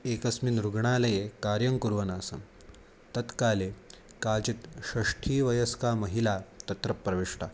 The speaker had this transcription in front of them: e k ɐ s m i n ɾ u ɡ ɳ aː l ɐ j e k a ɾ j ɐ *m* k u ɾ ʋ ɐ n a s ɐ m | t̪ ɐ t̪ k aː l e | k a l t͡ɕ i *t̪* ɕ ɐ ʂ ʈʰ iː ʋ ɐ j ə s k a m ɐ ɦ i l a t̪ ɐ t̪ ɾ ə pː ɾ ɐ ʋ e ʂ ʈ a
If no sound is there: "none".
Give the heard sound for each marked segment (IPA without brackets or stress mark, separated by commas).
ŋ, t̪